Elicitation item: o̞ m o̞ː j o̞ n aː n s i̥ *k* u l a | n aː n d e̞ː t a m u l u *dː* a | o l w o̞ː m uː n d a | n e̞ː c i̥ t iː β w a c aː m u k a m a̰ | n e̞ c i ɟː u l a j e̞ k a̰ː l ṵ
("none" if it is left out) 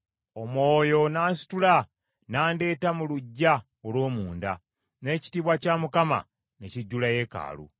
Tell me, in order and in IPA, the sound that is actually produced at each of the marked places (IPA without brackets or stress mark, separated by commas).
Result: t, ɟː